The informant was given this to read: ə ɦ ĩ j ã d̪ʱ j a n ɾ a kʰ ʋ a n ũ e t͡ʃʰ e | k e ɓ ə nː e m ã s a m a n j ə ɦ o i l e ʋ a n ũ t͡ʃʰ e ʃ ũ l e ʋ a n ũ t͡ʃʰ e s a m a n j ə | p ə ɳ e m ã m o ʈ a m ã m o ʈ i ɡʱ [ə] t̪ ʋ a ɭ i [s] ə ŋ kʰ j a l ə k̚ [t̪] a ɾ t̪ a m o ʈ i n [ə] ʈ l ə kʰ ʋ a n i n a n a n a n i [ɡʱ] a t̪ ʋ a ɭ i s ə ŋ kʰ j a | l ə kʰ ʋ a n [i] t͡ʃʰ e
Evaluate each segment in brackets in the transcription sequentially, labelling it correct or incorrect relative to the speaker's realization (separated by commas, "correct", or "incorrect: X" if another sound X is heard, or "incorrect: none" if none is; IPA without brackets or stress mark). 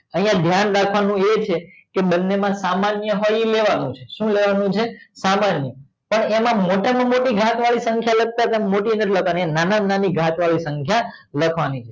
incorrect: a, correct, correct, correct, correct, correct